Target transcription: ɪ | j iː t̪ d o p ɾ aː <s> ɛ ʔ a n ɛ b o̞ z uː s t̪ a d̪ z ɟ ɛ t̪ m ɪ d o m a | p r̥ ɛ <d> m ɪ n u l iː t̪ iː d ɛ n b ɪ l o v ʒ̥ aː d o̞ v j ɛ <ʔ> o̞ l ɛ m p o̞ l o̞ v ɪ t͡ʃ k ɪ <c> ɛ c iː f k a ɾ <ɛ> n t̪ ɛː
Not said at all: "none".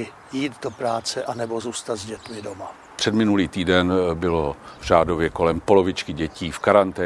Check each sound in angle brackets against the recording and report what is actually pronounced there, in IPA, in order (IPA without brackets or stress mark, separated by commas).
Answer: t͡s, d, k, ɟ, a